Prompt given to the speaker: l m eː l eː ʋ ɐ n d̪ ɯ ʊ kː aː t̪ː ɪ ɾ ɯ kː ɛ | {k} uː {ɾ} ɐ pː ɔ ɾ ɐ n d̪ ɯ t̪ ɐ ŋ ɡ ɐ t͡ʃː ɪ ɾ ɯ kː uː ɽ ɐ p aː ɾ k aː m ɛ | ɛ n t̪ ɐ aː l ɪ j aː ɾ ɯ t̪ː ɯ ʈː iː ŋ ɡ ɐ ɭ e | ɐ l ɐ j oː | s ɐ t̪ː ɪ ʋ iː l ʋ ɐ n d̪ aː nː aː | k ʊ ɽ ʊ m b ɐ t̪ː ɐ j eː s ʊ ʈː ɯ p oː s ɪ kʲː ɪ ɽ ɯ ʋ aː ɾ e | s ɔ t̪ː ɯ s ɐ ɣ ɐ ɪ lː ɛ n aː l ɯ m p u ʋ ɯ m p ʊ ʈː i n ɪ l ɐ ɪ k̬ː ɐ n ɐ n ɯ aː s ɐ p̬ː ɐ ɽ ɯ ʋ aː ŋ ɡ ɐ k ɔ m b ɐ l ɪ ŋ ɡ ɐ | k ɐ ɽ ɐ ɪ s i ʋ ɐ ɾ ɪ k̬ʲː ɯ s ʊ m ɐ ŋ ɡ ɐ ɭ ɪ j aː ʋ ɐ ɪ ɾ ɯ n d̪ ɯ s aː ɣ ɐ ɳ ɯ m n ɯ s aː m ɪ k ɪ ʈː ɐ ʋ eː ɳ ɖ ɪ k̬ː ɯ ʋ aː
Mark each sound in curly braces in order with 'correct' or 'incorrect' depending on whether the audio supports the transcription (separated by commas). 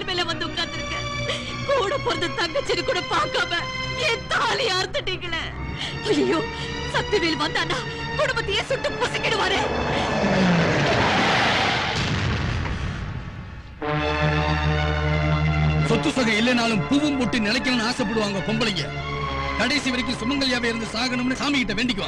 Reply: correct, incorrect